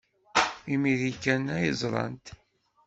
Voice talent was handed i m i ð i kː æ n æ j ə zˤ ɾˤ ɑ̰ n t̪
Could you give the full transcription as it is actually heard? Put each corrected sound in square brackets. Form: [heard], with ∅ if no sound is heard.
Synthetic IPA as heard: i m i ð i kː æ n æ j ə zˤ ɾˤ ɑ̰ n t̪